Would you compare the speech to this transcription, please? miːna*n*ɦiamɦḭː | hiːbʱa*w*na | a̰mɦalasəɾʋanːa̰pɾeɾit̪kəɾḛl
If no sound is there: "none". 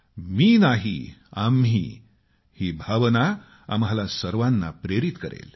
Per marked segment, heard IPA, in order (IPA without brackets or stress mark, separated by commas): none, ʋ